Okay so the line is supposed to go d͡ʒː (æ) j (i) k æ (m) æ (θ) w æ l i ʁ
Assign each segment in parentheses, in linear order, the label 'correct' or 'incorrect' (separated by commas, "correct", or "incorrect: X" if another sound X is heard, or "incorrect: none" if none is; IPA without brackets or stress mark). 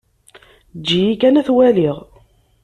incorrect: i, correct, incorrect: n, correct